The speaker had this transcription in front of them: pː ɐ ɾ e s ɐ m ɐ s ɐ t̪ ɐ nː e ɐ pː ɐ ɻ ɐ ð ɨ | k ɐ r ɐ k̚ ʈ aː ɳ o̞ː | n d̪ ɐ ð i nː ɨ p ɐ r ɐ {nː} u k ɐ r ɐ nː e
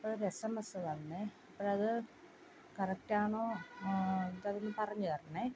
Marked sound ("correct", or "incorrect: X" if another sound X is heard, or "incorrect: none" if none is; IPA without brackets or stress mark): incorrect: ɲː